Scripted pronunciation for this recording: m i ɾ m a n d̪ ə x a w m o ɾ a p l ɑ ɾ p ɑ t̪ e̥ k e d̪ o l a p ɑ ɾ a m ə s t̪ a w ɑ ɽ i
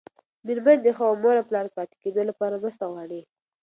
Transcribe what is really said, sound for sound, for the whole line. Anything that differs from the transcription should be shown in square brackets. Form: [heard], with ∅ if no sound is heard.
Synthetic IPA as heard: m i ɾ m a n d̪ ə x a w m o ɾ a p l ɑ ɾ p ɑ t̪ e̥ k e d̪ o l a p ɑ ɾ a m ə s t̪ a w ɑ ɽ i